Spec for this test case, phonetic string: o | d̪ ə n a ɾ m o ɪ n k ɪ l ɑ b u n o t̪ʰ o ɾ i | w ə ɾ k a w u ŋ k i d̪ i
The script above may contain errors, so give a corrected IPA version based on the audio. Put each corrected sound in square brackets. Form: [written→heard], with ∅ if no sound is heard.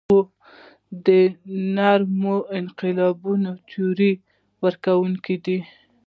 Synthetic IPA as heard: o | d̪ ə n a ɾ m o ɪ n [k→q] ɪ l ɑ b u n o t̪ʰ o ɾ i | w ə ɾ k a w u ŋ k i d̪ i